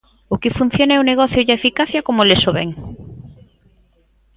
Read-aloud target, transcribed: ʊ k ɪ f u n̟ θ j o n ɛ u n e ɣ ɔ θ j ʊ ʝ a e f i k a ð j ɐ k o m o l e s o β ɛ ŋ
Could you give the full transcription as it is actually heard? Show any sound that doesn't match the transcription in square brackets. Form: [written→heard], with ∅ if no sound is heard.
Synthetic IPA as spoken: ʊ k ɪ f u n̟ θ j o n ɛ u n e ɣ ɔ θ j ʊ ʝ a e f i k a [ð→θ] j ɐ k o m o l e s o β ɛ ŋ